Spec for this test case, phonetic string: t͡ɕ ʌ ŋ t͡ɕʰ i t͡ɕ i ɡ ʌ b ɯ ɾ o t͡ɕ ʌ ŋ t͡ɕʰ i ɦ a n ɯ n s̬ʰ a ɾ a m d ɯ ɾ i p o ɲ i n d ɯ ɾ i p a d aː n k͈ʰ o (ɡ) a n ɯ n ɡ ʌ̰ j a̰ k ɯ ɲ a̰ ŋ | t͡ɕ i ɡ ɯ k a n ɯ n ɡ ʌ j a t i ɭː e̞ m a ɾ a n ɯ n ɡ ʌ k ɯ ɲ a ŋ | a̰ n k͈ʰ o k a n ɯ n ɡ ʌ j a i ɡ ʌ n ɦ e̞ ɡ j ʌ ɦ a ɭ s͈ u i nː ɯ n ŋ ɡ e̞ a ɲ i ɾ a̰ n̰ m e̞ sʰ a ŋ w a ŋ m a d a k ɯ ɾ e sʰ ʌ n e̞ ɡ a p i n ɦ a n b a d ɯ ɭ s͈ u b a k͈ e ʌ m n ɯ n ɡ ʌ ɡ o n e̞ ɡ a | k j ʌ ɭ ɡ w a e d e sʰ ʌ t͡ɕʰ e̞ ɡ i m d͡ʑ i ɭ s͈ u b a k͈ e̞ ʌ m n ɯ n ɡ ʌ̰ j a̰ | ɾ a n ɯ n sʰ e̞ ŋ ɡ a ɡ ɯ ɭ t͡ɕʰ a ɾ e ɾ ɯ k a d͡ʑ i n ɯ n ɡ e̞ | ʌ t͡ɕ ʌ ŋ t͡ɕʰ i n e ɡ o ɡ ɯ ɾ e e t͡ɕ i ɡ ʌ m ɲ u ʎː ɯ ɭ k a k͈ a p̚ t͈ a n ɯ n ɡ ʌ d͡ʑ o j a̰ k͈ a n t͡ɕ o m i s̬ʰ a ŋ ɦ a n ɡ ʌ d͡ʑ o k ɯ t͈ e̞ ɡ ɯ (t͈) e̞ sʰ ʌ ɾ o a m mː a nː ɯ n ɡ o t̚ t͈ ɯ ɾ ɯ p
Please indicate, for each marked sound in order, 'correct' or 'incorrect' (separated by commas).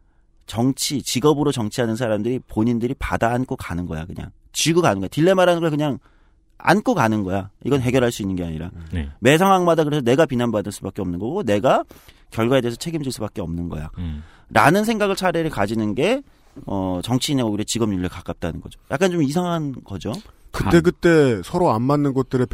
incorrect, correct